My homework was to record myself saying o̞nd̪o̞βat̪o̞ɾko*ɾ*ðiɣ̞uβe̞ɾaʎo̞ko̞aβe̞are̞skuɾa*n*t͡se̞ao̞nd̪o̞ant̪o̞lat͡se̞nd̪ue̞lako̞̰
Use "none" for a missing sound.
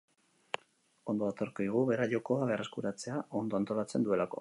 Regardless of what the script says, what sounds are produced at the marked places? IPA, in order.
none, none

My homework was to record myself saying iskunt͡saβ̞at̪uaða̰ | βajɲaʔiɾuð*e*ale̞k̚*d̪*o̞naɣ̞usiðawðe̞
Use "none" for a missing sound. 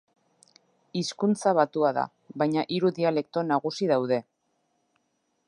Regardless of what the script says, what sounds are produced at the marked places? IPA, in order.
i, t̪

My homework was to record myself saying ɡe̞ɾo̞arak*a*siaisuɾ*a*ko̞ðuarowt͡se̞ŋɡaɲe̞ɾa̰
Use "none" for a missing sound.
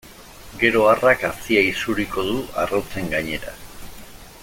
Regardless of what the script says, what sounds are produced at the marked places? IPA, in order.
a, i

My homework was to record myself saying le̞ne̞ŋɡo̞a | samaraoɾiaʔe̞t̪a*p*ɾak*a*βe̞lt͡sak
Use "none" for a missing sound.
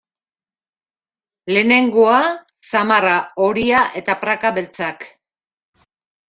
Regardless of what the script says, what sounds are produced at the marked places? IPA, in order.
p, a

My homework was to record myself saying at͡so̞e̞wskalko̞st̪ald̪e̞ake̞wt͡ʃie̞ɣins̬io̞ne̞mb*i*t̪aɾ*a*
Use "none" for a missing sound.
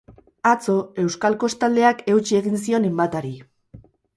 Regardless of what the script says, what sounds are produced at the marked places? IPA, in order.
a, i

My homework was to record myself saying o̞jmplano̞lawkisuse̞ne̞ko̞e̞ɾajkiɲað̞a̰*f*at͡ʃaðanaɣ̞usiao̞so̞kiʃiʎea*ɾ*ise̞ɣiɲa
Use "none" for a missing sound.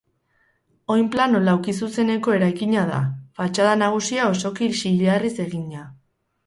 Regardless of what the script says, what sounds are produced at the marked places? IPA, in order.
f, r

